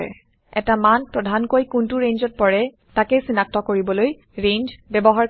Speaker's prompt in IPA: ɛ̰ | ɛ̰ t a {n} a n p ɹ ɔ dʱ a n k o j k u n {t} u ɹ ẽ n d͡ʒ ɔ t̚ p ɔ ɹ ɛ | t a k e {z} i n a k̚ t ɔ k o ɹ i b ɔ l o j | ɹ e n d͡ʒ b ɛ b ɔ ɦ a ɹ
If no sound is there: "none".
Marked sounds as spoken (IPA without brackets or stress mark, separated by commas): m, t, s